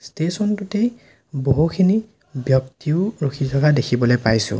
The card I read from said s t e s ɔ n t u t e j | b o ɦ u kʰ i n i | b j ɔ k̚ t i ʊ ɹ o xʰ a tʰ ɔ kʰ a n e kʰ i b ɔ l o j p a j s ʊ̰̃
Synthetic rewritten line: s t e s ɔ n t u t e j | b o ɦ u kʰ i n i | b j ɔ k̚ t i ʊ ɹ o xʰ i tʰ ɔ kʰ a d e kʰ i b ɔ l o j p a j s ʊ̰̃